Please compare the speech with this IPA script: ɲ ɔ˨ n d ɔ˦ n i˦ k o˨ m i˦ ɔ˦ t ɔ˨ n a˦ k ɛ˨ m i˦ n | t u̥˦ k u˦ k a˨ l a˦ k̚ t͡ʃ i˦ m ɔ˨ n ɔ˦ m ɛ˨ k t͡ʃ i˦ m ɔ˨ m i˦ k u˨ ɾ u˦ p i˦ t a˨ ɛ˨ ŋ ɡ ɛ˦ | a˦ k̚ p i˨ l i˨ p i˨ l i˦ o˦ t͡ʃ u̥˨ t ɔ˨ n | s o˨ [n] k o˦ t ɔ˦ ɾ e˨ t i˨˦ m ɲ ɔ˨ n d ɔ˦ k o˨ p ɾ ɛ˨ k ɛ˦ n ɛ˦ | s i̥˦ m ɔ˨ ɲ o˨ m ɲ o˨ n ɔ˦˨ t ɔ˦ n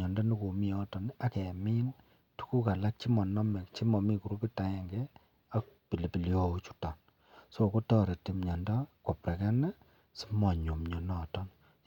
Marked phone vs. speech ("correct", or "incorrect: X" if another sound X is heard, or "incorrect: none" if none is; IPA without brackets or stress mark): incorrect: none